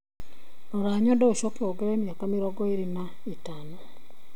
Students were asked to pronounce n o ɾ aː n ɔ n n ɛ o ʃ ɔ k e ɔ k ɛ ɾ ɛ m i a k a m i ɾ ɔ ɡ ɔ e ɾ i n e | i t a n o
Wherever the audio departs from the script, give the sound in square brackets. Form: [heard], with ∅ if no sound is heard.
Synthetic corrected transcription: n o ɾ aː [ɲ] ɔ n [d] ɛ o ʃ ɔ k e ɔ [ɡ] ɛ ɾ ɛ m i a k a m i ɾ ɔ ɡ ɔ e ɾ i n [a] | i t a n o